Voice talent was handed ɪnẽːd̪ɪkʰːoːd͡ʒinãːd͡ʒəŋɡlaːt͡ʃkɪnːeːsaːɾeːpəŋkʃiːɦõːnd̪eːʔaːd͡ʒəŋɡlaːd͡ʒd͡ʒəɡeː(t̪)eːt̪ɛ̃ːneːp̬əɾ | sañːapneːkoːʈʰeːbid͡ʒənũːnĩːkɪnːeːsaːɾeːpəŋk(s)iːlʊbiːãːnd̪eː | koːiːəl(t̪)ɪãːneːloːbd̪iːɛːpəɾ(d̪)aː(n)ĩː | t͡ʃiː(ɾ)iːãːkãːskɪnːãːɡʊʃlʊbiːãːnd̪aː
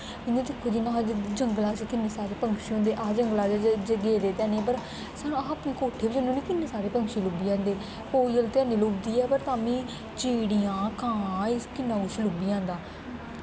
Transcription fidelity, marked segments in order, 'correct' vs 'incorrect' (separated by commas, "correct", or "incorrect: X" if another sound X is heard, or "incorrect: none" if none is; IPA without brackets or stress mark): incorrect: d̪, incorrect: ʃ, correct, incorrect: t̪, incorrect: m, incorrect: ɽ